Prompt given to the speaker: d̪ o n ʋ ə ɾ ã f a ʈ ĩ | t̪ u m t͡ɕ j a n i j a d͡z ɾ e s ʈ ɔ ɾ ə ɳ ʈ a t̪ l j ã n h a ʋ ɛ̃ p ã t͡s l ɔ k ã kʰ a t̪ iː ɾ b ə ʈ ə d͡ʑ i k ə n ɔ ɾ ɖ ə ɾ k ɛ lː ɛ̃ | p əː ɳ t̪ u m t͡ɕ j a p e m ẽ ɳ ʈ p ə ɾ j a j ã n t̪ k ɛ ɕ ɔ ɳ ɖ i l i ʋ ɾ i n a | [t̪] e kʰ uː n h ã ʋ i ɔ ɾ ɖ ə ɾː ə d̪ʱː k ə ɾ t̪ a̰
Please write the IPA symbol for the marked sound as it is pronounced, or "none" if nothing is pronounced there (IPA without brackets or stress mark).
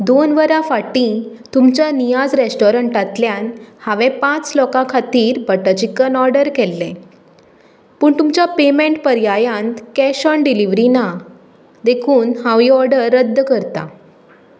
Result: d̪